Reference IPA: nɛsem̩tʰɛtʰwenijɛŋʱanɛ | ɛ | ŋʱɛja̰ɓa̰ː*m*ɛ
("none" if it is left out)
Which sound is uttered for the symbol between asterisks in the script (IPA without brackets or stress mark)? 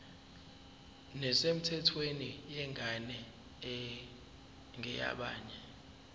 ɲ